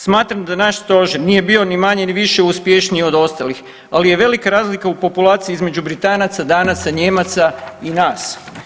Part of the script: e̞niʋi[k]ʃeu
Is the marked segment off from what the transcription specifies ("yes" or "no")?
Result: yes